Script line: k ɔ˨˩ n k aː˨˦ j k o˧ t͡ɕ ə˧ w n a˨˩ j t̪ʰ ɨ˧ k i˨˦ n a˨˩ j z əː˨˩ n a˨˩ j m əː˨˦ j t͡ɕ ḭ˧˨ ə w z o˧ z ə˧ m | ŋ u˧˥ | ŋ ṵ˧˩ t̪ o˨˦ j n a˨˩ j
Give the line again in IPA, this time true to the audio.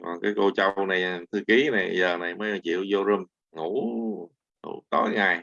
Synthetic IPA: k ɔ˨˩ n k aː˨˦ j k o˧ t͡ɕ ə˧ w n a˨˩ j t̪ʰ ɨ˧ k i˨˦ n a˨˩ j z əː˨˩ n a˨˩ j m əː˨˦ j t͡ɕ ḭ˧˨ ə w z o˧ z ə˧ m | ŋ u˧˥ | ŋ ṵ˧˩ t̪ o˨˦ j ŋ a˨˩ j